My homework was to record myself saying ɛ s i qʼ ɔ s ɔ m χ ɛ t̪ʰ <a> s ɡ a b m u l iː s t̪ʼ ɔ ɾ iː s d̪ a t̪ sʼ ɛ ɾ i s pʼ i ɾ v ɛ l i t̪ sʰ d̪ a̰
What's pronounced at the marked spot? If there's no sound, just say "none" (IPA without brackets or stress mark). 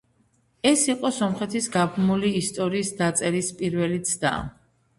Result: i